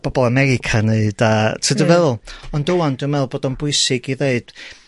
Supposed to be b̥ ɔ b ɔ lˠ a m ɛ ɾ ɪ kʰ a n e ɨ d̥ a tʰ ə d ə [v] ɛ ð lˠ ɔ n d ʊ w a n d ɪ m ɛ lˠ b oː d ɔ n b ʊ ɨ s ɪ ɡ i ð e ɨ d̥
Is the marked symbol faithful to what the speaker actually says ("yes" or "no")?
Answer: yes